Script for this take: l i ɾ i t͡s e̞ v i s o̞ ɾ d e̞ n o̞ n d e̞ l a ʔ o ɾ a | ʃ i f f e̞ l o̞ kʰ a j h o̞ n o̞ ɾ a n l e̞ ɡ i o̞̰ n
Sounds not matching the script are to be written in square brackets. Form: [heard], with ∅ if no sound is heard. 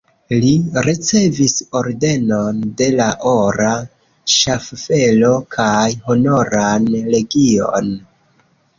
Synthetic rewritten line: l i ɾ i t͡s e̞ v i s o̞ ɾ d e̞ n o̞ n d e̞ l a ʔ o ɾ a | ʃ [a] f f e̞ l o̞ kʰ a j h o̞ n o̞ ɾ a n l e̞ ɡ i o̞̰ n